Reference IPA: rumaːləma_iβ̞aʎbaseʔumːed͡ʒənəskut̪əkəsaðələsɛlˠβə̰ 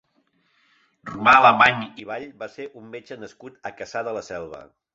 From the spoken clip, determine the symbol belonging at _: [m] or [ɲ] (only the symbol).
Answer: ɲ